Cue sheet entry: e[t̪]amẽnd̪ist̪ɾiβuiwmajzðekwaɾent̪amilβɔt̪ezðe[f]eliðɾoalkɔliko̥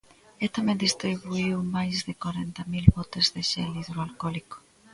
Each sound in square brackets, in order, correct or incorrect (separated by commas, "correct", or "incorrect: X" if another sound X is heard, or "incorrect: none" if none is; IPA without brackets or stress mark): correct, incorrect: ʃ